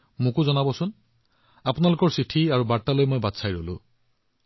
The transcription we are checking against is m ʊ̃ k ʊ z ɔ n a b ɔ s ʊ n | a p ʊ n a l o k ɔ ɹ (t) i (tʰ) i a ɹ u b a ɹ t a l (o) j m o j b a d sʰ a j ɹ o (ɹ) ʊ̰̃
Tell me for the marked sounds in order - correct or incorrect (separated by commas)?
incorrect, correct, correct, incorrect